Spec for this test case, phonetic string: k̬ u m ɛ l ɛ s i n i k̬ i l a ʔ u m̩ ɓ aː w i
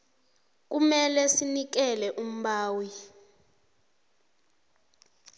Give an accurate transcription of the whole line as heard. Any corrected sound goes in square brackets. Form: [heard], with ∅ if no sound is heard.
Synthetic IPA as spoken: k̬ u m ɛ l ɛ s i n i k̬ [ɛ] l [ɛ] ʔ u m̩ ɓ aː w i

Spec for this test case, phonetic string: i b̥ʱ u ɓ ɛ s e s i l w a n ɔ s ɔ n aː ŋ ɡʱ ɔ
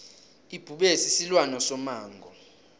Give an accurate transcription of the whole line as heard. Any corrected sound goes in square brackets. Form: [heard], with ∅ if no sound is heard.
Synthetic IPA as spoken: i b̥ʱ u ɓ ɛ s [i] s i l w a n ɔ s ɔ [m] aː ŋ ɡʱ ɔ

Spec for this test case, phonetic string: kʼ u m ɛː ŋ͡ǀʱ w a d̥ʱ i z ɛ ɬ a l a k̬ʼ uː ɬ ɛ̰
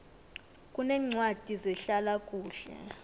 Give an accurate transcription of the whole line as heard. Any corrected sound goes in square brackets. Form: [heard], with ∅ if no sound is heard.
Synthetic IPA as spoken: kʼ u [n] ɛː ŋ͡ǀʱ w a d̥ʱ i z ɛ ɬ a l a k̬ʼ uː ɬ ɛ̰

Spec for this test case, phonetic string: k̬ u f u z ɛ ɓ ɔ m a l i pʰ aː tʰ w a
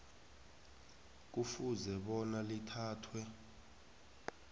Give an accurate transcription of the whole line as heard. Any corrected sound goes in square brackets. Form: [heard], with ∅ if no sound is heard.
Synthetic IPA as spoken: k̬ u f u z ɛ ɓ ɔ [n] a l i [tʰ] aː tʰ w [ɛ]

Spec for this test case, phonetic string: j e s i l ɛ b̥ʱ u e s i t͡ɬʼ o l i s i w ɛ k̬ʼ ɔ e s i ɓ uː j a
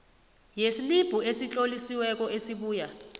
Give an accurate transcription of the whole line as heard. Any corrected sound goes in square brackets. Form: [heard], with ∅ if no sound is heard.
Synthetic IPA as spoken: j e s i l [i] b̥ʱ u e s i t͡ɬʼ o l i s i w ɛ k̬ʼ ɔ e s i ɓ uː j a

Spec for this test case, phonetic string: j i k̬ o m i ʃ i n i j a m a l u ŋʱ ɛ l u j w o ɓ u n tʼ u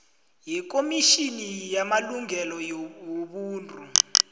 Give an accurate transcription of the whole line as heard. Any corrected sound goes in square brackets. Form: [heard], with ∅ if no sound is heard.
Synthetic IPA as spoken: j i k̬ o m i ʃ i n i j a m a l u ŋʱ ɛ l [ɔ] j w o ɓ [uː] n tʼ u

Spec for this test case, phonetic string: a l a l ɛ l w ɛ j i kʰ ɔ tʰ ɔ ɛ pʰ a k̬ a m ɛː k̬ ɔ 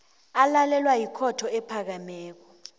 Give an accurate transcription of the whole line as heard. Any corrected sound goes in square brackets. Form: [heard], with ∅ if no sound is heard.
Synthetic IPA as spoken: a l a l ɛ l w [a] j i kʰ ɔ tʰ ɔ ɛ pʰ a k̬ a m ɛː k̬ ɔ

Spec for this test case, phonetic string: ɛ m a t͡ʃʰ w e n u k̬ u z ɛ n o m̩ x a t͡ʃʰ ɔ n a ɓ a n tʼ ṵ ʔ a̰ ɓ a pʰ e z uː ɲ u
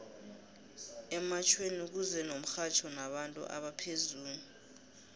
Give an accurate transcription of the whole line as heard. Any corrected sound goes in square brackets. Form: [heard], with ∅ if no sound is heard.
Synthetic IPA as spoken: ɛ m a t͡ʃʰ w e n u k̬ u z ɛ n o m̩ x a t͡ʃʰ ɔ n a ɓ a n tʼ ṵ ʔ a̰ ɓ a pʰ e z uː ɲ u

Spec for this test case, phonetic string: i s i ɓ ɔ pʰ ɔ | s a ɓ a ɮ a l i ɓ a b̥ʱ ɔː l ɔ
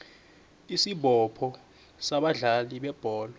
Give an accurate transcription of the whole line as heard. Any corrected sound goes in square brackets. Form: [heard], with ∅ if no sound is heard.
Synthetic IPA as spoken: i s i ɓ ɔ pʰ ɔ | s a ɓ a ɮ a l i ɓ [ɛ] b̥ʱ ɔː l ɔ

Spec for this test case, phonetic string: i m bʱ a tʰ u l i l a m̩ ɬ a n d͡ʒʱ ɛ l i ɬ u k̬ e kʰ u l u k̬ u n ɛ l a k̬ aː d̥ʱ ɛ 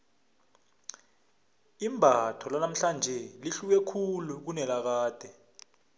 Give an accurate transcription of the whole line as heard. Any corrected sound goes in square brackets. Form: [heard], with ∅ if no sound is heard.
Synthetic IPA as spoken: i m bʱ a tʰ [ɔ] l [a] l a m̩ ɬ a n d͡ʒʱ ɛ l i ɬ u k̬ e kʰ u l u k̬ u n ɛ l a k̬ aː d̥ʱ ɛ

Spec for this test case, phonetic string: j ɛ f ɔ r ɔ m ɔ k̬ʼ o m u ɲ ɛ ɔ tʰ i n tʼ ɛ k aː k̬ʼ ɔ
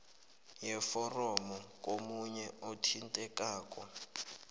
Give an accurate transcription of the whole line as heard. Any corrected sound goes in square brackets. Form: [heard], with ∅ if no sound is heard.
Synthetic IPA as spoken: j ɛ f ɔ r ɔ m ɔ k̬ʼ o m u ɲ ɛ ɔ tʰ i n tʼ ɛ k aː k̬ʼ ɔ

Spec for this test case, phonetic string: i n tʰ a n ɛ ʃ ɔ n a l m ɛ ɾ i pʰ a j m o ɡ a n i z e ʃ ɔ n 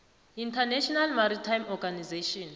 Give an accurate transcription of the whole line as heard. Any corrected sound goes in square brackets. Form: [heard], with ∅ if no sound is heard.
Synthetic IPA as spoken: i n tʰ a n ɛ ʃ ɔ n a l m [a] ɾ i [tʰ] a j m [ɔ] ɡ a n i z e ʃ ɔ n

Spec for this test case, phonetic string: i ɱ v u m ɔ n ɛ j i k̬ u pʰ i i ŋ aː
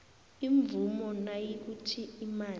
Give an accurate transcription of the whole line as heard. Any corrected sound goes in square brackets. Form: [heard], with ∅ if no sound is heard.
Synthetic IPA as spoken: i ɱ v u m ɔ n [a] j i k̬ u [tʰ] i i [m] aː

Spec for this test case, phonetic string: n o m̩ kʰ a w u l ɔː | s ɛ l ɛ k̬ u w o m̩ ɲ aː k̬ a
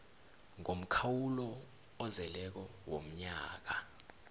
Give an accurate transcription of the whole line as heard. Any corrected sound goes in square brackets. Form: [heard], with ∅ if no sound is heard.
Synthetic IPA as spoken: [ŋ] o m̩ kʰ a w u l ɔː | [z] ɛ l ɛ k̬ [ɔ] w o m̩ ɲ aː k̬ a

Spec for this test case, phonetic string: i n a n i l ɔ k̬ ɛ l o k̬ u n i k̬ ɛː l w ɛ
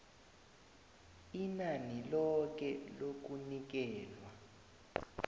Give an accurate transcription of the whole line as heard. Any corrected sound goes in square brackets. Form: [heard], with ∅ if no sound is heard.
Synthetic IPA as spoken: i n a n i l ɔ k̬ ɛ l o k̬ u n i k̬ ɛː l w [a]

